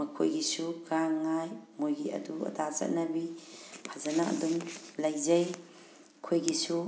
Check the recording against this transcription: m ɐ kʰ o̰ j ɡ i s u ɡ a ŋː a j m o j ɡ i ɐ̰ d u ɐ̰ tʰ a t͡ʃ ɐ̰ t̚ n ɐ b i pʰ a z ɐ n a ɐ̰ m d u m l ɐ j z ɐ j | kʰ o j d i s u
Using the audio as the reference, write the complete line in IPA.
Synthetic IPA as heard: m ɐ kʰ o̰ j ɡ i s u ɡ a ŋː a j m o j ɡ i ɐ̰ d u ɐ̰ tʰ a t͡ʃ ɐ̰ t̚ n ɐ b i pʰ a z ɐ n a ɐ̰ d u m l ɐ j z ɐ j | kʰ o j ɡ i s u